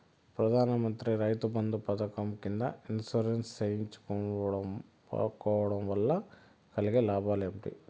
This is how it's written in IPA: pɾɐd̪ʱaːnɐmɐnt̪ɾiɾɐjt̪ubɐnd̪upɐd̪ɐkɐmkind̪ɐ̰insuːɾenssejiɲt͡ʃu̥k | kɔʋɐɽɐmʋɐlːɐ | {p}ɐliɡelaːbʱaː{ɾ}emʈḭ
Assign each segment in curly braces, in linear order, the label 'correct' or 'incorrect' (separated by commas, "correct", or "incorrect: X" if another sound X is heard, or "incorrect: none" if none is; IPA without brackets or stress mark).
incorrect: k, incorrect: l